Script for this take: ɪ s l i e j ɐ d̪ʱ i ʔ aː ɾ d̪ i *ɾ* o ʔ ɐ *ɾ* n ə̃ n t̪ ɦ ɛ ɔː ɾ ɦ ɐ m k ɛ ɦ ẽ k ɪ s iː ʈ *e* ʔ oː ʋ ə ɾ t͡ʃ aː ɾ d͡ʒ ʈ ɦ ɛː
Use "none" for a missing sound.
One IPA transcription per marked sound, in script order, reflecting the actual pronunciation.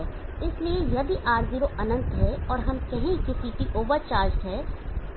ɾ, none, i

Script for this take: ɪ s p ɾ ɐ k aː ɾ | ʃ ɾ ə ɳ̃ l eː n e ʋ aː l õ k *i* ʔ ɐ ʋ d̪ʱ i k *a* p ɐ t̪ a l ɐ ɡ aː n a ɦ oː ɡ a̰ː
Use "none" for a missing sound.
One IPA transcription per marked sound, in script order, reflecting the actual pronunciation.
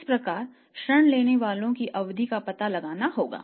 i, a

